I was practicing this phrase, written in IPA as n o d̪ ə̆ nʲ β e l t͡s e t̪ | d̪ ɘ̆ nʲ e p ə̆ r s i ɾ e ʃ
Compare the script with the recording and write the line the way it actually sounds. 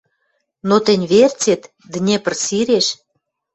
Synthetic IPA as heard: n o t̪ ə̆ nʲ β e r t͡s e t̪ | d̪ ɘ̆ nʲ e p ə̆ r s i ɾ e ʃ